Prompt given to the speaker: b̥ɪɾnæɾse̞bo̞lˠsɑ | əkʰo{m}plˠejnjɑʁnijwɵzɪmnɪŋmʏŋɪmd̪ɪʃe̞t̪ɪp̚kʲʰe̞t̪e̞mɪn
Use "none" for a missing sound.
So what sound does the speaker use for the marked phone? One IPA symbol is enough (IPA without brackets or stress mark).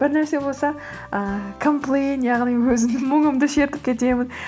m